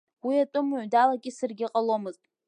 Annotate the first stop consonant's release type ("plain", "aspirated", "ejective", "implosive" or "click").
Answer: ejective